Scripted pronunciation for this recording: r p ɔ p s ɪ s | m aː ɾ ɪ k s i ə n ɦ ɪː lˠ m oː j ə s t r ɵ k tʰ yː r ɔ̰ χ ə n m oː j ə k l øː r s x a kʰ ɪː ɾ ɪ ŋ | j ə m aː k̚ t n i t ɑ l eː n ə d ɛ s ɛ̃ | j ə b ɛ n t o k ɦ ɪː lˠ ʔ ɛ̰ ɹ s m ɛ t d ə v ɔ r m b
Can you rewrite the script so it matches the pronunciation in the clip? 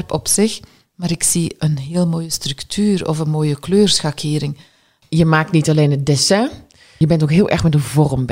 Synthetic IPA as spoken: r p ɔ p s ɪ x | m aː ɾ ɪ k s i ə n ɦ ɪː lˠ m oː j ə s t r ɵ k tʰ yː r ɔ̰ f ə n m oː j ə k l øː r s x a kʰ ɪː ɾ ɪ ŋ | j ə m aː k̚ t n i t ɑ l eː n ə d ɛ s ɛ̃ | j ə b ɛ n t o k ɦ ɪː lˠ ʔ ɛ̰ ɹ x m ɛ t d ə v ɔ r m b